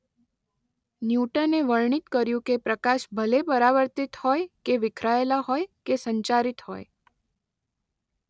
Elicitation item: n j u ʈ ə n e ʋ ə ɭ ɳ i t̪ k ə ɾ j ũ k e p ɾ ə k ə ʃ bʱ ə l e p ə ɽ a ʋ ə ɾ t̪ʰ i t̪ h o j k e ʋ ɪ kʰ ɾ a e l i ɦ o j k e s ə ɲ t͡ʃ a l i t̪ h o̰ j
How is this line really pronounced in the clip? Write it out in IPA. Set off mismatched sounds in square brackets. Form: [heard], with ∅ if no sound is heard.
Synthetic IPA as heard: n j u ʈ ə n e ʋ ə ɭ ɳ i t̪ k ə ɾ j ũ k e p ɾ ə k [a] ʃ bʱ ə l e p ə [ɾ] a ʋ ə ɾ [t̪] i t̪ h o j k e ʋ ɪ kʰ ɾ a e l [a] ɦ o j k e s ə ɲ t͡ʃ a [ɾ] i t̪ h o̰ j

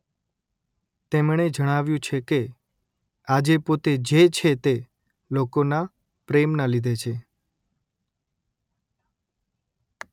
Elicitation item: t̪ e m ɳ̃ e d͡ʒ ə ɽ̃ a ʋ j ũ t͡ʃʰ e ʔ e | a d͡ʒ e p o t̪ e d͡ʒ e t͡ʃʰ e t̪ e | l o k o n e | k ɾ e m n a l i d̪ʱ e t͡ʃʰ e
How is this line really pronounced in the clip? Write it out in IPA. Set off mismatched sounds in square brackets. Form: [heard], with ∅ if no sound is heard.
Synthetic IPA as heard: t̪ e m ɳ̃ e d͡ʒ ə ɽ̃ a ʋ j ũ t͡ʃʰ e [k] e | a d͡ʒ e p o t̪ e d͡ʒ e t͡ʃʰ e t̪ e | l o k o n [a] | [p] ɾ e m n a l i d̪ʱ e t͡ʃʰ e

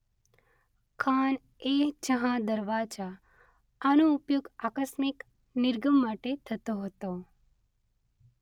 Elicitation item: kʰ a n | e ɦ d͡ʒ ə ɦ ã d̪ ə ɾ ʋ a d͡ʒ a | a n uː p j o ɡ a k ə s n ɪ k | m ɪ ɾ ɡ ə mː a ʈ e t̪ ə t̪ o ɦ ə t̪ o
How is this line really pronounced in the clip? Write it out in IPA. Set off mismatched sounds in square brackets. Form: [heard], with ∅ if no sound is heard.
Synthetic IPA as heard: kʰ a n | e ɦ d͡ʒ ə ɦ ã d̪ ə ɾ ʋ a d͡ʒ a | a n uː p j o ɡ a k ə s [m] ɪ k | [n] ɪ ɾ ɡ ə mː a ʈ e [t̪ʰ] ə t̪ o ɦ ə t̪ o

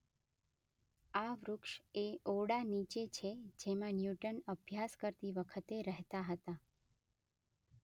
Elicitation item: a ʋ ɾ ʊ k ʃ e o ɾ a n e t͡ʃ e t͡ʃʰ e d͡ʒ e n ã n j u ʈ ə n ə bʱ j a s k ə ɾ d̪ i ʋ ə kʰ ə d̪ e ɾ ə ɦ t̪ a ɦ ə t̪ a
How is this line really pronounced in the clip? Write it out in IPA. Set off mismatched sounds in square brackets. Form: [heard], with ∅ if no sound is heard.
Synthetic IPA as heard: a ʋ ɾ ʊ k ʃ e o [ɽ] a n [i] t͡ʃ e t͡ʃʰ e d͡ʒ e [m] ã n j u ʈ ə n ə bʱ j a s k ə ɾ [t̪] i ʋ ə kʰ ə [t̪] e ɾ ə ɦ t̪ a ɦ ə t̪ a

